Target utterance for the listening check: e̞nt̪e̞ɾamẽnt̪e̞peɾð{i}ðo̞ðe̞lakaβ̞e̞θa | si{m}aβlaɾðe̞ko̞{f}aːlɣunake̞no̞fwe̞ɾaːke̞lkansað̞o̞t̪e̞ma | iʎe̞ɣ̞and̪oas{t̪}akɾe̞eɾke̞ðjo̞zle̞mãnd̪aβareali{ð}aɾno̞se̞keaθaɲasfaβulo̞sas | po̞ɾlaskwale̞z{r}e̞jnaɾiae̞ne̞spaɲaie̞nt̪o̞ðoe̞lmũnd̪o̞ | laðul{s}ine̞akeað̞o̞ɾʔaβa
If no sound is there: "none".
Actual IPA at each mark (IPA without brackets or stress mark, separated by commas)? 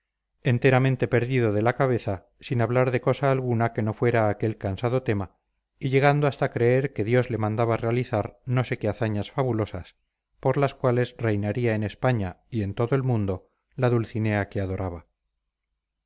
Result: i, n, s, t̪, θ, r, θ